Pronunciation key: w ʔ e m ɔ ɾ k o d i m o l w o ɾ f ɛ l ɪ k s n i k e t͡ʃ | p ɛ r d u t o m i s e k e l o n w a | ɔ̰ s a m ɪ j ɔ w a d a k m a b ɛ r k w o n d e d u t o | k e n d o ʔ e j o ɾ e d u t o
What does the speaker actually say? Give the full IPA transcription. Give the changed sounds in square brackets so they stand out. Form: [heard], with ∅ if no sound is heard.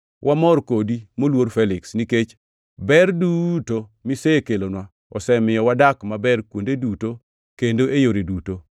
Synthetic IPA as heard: w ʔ [a] m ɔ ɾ k o d i m o l w o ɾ f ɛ l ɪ k s n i k e t͡ʃ | [b] ɛ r d u t o m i s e k e l o n w a | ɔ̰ s [ɛ] m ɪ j ɔ w a d a k m a b ɛ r k w o n d e d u t o | k e n d o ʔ e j o ɾ e d u t o